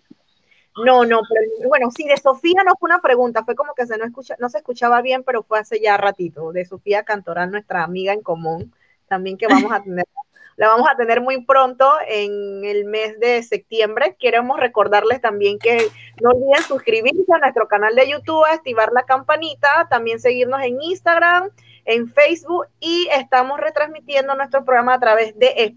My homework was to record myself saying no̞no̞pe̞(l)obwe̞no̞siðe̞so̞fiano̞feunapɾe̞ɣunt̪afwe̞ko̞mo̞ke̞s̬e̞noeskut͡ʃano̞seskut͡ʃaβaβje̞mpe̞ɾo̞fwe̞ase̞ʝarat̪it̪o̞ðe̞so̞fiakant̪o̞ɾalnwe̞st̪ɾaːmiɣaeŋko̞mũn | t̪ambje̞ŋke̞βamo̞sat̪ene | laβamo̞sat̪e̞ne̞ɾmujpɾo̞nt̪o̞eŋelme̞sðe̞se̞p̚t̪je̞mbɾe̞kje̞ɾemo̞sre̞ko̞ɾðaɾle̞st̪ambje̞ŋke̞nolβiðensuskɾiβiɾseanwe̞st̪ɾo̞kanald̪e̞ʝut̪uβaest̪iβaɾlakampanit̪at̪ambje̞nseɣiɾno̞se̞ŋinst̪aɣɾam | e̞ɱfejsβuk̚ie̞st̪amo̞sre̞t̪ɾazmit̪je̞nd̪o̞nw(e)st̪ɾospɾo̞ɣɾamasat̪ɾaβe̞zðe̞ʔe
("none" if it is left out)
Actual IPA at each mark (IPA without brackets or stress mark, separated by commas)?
ɾ, e